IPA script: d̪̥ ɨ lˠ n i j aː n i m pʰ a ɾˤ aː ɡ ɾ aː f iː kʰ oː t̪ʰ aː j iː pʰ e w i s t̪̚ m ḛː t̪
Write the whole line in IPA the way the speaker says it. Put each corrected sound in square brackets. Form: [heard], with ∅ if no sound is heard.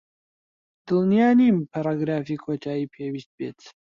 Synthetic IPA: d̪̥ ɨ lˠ n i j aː n i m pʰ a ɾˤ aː ɡ ɾ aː f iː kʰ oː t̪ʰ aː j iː pʰ e w i s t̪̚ [b] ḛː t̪